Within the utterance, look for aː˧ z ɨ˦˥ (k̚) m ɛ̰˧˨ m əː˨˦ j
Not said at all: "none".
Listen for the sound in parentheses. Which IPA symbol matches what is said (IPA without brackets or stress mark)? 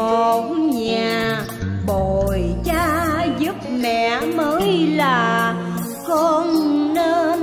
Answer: p̚